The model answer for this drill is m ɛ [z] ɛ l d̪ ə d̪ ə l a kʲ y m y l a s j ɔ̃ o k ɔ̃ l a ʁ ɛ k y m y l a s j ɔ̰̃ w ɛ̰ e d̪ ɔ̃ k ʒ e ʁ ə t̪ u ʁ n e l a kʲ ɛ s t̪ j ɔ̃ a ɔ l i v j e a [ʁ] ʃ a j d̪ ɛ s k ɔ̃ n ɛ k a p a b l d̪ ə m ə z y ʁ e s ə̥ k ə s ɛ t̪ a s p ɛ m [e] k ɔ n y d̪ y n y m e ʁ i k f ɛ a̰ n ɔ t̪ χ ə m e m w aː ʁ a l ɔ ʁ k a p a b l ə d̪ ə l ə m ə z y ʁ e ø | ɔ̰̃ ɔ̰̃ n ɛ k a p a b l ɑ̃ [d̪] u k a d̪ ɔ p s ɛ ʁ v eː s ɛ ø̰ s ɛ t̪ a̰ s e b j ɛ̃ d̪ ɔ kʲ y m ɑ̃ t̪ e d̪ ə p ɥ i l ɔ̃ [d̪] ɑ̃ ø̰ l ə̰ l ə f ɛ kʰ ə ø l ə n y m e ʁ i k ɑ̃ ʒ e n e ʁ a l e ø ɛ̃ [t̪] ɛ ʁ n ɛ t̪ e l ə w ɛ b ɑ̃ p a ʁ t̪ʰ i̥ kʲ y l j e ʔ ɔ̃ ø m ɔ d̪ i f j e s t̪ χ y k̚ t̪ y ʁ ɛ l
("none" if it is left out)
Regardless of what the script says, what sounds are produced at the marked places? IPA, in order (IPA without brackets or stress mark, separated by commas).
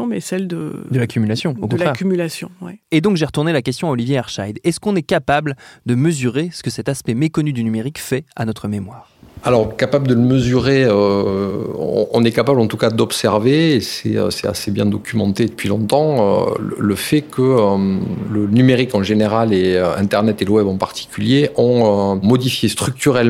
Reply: s, ʁ, e, t̪, t̪, t̪